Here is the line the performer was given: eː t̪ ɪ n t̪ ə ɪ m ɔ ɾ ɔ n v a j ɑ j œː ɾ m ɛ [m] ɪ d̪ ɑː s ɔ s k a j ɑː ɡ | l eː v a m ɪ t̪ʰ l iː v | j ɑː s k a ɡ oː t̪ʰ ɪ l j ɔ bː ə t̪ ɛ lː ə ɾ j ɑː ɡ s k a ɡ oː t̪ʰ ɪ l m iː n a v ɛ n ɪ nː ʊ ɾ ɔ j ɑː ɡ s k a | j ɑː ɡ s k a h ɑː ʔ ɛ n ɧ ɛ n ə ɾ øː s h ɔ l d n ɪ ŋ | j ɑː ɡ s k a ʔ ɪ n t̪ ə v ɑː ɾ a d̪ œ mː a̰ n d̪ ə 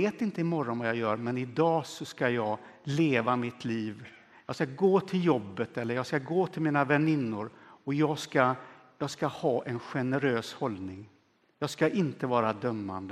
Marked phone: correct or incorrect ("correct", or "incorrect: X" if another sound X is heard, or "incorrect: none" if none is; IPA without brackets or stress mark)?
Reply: incorrect: n